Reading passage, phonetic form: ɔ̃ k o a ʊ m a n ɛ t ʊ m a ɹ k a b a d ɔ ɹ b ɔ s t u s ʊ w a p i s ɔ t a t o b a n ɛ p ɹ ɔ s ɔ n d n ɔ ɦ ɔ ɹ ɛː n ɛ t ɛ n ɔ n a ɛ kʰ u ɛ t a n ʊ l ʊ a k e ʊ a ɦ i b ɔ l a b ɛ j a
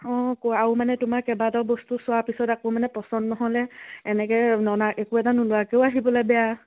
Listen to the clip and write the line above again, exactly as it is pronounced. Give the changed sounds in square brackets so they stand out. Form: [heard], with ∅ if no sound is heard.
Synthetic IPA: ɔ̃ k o a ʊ m a n ɛ t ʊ m a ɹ k [ɛ] b a d ɔ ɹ b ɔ s t u s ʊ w a p i s ɔ t a [k] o [m] a n ɛ p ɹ ɔ s ɔ n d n ɔ ɦ ɔ [l] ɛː n ɛ [k] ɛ n ɔ n a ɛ [k] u ɛ t a n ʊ l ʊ a k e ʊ a ɦ i b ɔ l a b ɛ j a